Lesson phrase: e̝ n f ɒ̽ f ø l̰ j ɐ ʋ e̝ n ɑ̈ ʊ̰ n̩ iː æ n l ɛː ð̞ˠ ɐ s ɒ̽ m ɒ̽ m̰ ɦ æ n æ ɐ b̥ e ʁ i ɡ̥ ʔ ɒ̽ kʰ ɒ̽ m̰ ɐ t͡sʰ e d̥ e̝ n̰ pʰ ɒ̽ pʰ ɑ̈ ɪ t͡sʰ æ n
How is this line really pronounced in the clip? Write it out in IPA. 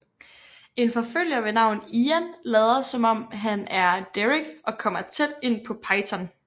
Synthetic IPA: e̝ n f ɒ̽ f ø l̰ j ɐ ʋ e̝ n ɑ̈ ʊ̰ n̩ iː æ n l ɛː ð̞ˠ ɐ s ɒ̽ m ɒ̽ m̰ ɦ æ n æ ɐ d̥ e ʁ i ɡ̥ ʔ ɒ̽ kʰ ɒ̽ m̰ ɐ t͡sʰ e d̥ e̝ n̰ pʰ ɒ̽ pʰ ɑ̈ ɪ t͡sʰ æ n